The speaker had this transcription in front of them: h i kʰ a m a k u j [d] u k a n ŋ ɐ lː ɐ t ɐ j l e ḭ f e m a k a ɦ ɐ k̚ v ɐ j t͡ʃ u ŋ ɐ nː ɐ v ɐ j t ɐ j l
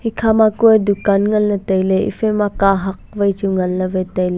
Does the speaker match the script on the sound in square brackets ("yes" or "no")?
yes